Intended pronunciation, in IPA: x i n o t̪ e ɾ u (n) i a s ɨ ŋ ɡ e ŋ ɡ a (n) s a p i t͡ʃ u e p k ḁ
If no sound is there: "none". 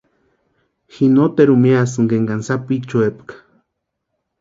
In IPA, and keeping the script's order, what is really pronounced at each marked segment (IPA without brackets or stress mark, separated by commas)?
m, n